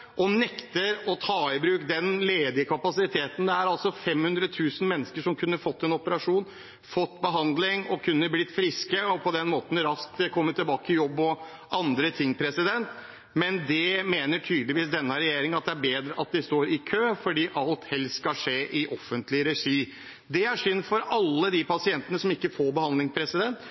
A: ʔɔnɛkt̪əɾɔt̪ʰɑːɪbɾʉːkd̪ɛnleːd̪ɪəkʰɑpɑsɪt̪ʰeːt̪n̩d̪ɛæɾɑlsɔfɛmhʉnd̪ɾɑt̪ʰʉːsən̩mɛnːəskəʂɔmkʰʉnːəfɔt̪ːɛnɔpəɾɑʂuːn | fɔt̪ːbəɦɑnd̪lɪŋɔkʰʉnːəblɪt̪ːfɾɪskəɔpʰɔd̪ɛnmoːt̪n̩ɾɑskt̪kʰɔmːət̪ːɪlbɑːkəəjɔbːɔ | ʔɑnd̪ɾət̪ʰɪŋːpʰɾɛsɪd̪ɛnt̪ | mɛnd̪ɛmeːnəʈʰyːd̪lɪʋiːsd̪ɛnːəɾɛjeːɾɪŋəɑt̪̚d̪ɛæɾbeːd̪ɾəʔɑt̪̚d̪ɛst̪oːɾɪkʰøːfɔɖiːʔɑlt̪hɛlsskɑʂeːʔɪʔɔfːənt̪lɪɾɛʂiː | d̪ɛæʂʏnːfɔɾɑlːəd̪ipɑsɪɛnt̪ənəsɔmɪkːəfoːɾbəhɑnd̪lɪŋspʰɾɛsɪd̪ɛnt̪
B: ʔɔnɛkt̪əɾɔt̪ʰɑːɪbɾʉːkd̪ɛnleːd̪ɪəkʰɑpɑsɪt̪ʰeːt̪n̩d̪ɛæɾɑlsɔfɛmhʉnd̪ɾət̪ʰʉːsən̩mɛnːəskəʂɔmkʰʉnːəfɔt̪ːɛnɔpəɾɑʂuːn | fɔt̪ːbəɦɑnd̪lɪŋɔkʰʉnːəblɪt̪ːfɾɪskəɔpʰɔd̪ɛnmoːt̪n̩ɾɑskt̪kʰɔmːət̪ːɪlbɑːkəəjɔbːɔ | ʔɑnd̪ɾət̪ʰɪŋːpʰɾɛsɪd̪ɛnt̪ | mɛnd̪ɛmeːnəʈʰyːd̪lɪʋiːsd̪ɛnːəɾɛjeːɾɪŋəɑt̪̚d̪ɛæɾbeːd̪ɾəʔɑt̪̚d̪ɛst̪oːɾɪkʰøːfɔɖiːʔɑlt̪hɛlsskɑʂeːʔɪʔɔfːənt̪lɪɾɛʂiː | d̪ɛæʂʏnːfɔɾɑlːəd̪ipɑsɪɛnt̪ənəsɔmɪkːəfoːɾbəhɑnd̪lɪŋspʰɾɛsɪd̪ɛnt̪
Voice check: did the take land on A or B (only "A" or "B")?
B